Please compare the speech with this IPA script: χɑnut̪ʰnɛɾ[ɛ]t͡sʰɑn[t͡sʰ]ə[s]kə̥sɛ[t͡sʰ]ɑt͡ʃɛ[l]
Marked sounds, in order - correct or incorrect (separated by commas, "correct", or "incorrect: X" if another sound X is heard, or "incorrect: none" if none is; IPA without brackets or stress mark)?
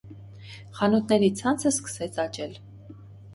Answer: incorrect: i, correct, correct, correct, correct